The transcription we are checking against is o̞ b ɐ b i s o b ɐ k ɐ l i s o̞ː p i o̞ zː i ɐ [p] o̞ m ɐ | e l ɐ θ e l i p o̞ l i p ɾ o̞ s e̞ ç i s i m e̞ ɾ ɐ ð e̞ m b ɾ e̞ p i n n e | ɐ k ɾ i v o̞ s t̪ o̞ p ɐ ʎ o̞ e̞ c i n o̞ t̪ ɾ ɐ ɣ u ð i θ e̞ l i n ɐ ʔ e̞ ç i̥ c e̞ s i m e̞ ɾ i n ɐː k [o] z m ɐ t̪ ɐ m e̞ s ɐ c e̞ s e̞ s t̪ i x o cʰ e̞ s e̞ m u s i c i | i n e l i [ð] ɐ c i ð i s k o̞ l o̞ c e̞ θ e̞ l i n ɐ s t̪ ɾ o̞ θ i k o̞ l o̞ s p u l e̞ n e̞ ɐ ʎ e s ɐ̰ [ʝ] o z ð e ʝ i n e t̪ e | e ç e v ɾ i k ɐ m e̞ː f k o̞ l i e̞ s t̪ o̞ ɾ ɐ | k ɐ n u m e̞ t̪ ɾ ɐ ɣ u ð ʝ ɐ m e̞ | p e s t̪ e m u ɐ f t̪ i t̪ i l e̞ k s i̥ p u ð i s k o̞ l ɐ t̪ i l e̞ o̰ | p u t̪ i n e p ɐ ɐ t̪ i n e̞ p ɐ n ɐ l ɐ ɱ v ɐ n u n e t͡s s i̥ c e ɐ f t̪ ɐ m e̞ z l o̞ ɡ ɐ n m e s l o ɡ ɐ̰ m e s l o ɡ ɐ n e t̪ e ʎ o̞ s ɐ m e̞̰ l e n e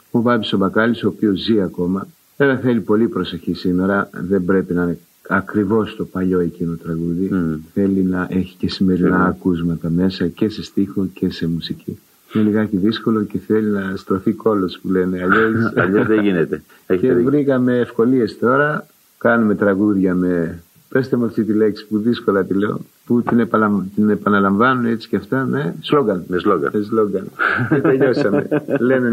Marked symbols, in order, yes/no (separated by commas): no, no, no, no